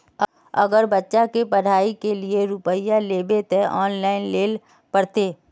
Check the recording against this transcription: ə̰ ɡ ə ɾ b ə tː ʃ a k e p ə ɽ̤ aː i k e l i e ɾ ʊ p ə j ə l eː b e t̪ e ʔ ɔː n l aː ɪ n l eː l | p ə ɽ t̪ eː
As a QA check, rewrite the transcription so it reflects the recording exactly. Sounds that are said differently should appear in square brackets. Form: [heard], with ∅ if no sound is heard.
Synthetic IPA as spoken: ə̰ ɡ ə ɾ b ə tː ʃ a k e p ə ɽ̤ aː i k e l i e ɾ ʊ p ə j [a] l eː b e t̪ e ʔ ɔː n l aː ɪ n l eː l | p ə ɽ t̪ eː